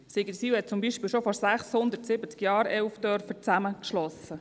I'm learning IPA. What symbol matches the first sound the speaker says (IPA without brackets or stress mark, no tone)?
s